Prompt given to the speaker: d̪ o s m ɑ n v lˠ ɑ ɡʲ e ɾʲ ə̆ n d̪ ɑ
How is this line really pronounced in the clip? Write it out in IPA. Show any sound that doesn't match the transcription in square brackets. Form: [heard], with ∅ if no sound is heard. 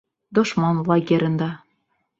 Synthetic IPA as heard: d̪ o [ʃ] m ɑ n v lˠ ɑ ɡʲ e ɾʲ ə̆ n d̪ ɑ